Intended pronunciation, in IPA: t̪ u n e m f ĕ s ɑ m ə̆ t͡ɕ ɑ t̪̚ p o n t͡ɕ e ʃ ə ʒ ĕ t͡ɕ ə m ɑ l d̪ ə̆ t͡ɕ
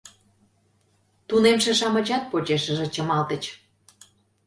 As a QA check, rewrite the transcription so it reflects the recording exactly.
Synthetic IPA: t̪ u n e m ʃ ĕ ʃ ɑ m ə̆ t͡ɕ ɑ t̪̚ p o t͡ɕ e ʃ ə ʒ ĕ t͡ɕ ə m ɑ l t̪ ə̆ t͡ɕ